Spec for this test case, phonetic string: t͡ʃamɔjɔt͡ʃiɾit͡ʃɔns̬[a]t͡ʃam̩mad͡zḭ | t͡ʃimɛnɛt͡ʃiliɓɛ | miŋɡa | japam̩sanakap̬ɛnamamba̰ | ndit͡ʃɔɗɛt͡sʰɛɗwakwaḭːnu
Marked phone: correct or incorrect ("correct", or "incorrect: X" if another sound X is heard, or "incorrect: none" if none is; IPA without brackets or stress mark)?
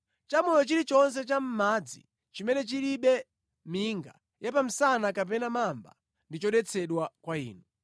incorrect: ɛ